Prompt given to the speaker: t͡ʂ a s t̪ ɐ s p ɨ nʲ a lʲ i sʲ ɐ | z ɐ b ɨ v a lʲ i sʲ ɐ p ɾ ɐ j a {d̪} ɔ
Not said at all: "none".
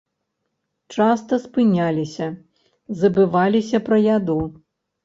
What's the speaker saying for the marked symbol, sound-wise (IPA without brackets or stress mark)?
d̪